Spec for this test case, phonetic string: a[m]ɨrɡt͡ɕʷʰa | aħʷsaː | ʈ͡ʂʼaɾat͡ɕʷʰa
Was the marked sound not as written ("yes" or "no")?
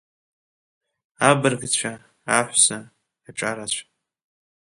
yes